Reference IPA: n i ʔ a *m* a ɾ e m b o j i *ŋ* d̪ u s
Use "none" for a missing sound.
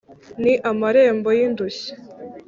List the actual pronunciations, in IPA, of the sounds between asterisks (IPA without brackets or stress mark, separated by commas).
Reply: m, n